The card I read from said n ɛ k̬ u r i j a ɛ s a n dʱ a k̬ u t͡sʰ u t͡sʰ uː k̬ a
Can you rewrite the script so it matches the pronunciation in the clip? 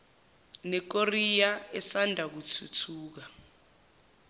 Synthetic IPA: n ɛ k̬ o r i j a ɛ s a n dʱ a k̬ u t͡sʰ u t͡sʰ uː k̬ a

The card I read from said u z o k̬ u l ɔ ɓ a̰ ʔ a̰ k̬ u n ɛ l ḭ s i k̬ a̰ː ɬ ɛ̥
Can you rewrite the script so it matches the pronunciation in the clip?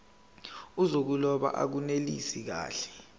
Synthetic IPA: u z o k̬ u l ɔ ɓ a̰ ʔ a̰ k̬ u n e l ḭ s i k̬ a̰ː ɬ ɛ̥

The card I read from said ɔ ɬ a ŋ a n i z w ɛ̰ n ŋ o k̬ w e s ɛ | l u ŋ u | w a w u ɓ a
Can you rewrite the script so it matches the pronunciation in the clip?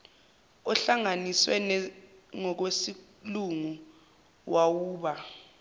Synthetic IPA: ɔ ɬ a ŋ a n i s w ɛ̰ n ŋ ɔ k̬ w e s i | l u ŋ u | w a w uː ɓ a

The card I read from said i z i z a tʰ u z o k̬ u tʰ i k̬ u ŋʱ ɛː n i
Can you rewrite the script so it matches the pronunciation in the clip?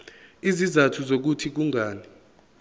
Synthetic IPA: i z i z a tʰ u z o k̬ u tʰ i k̬ u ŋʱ aː n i

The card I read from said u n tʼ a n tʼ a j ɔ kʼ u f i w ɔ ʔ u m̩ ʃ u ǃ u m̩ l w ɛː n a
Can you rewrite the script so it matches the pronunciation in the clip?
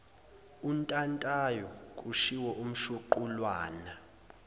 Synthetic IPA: u n tʼ a n tʼ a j ɔ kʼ u ʃ i w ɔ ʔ u m̩ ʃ u ǃ u l w aː n a

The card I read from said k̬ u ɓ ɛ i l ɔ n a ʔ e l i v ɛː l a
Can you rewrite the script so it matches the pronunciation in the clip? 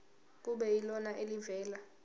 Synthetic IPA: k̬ u ɓ ɛ i l ɔ n a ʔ e l i v ɛː l a

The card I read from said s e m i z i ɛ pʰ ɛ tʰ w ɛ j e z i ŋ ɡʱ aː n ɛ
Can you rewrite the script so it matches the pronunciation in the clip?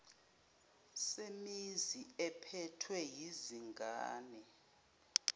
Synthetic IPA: s e m i z i ɛ pʰ ɛ tʰ w ɛ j i z i ŋ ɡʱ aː n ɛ

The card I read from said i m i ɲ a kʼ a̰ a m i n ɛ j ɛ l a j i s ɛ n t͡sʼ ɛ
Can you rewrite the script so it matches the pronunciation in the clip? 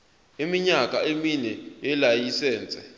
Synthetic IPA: i m i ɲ a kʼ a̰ e m i n ɛ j ɛ l a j i s ɛː n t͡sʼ ɛ

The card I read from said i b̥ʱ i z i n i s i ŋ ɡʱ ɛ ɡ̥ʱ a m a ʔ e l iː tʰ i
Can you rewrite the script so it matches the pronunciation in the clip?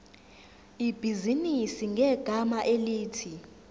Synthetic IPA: i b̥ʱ i z i n i s i ŋ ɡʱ ɛ ɡ̥ʱ a m a ʔ e l iː tʰ i

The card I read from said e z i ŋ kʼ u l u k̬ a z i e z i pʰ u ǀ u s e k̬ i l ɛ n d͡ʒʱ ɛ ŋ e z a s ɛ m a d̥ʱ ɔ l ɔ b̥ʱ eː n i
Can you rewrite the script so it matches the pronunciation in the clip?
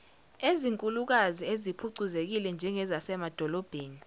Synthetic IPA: e z i ŋ kʼ u l u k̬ a z i e z i pʰ u ǀ u z e k̬ i l ɛ n d͡ʒʱ ɛ ŋ ɛ z a s ɛ m a d̥ʱ ɔ l ɔ b̥ʱ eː n i

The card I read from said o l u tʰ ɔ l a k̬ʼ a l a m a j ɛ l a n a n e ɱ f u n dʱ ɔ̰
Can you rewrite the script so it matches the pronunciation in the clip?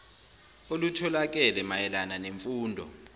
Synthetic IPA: o l u tʰ ɔ l a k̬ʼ ɛ l ɛ m a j ɛ l a n a n e ɱ f uː n dʱ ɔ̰

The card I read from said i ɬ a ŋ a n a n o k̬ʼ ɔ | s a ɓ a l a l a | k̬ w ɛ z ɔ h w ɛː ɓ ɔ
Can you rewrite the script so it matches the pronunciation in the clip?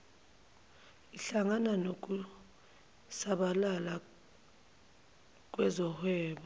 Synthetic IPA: i ɬ a ŋ a n a n o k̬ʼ u | s a ɓ a l a l a | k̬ w ɛ z ɔ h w ɛː ɓ ɔ

